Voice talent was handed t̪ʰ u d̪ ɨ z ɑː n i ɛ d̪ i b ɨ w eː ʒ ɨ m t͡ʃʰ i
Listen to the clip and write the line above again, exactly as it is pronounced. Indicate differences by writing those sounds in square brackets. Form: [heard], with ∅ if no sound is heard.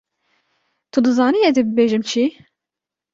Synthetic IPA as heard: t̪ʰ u d̪ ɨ z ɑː n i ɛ d̪ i b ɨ [b] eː ʒ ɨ m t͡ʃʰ i